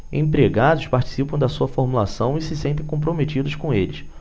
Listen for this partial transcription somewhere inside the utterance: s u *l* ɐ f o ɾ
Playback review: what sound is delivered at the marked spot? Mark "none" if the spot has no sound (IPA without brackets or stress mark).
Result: none